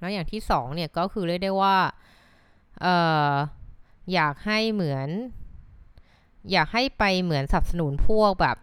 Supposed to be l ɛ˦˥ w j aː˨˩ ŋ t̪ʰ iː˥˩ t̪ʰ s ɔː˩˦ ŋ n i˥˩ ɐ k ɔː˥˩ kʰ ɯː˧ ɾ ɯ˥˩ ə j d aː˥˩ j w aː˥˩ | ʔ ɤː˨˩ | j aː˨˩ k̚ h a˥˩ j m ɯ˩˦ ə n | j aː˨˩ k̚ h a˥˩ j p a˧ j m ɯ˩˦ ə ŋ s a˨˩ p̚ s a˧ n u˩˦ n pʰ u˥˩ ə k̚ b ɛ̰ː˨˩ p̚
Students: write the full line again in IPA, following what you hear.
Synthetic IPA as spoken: l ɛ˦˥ w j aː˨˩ ŋ t̪ʰ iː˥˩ s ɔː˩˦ ŋ n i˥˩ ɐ k ɔː˥˩ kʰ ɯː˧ ɾ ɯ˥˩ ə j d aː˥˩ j w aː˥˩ | ʔ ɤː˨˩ | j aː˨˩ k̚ h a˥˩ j m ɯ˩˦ ə n | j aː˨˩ k̚ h a˥˩ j p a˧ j m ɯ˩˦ ə n s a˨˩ p̚ s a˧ n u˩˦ n pʰ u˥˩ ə k̚ b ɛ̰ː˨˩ p̚